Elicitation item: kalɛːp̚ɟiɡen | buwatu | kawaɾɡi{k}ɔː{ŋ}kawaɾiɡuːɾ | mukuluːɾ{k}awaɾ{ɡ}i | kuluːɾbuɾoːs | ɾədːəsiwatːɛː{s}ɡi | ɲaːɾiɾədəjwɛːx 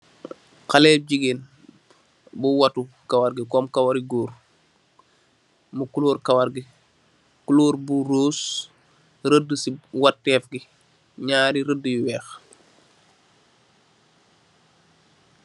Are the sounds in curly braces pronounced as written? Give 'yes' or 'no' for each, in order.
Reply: yes, no, yes, yes, no

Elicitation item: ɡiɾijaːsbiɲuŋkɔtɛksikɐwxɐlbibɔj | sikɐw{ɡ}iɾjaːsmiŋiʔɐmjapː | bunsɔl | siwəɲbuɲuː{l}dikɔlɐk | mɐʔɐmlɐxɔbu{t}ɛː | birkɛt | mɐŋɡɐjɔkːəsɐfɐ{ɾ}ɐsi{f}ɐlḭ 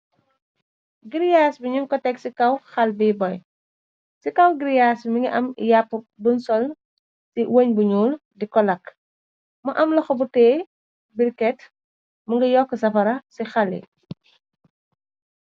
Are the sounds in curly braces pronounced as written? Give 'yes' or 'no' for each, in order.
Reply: yes, yes, yes, yes, no

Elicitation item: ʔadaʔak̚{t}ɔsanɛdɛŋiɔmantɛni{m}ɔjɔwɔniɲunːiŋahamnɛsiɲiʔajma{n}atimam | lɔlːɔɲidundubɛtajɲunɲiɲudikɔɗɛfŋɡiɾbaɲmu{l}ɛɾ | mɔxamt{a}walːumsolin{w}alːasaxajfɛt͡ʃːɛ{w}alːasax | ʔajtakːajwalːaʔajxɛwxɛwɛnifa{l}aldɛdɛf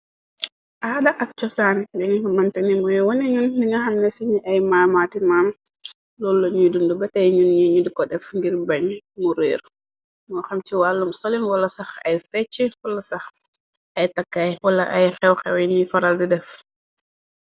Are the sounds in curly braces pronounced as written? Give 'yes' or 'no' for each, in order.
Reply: no, yes, no, no, no, yes, yes, no

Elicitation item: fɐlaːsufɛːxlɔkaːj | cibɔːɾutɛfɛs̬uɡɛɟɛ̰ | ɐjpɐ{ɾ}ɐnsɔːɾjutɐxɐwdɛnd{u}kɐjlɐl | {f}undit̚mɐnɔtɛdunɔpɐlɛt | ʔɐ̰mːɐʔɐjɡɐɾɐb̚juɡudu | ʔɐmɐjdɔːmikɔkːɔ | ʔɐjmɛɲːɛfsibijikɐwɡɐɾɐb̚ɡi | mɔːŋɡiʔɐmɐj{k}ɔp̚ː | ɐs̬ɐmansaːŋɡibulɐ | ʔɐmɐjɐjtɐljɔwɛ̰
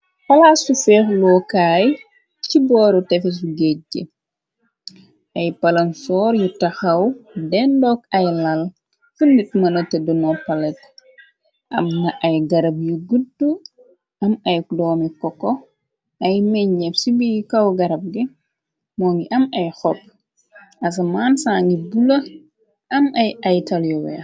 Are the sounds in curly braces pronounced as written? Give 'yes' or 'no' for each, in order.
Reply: no, no, yes, no

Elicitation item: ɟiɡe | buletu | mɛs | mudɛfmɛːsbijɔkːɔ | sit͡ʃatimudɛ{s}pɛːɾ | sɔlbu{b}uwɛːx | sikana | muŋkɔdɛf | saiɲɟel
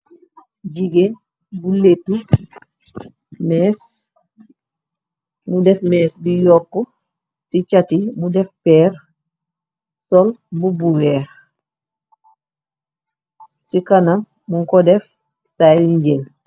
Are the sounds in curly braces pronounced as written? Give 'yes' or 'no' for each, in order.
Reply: no, yes

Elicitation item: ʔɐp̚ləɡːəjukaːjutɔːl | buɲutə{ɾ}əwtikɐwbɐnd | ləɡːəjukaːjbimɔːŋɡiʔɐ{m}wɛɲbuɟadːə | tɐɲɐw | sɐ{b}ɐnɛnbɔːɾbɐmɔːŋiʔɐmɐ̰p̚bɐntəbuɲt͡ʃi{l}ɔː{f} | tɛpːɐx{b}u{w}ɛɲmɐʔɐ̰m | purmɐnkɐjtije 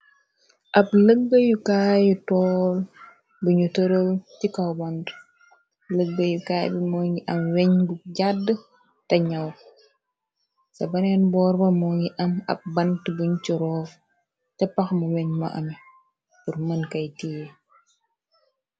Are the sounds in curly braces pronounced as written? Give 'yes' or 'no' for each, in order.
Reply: yes, yes, yes, no, yes, no, yes

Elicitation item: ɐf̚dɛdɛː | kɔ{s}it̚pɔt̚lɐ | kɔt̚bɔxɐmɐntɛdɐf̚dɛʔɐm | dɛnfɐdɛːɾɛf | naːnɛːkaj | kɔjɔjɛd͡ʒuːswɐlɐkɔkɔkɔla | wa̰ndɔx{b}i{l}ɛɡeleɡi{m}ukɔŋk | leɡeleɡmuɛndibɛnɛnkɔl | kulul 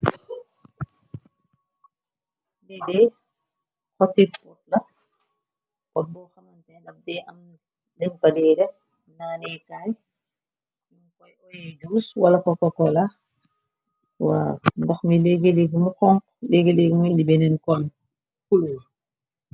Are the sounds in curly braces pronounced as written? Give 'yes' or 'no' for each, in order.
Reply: no, no, yes, yes

